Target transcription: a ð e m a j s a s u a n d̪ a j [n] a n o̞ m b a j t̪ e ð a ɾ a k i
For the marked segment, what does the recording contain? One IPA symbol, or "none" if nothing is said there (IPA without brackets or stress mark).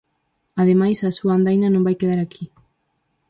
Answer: n